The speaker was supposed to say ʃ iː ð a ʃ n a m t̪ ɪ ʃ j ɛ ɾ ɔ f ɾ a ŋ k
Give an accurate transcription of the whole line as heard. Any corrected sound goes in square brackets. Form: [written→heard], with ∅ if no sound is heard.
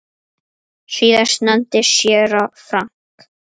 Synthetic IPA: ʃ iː ð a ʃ n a [m→n] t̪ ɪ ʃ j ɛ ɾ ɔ f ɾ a ŋ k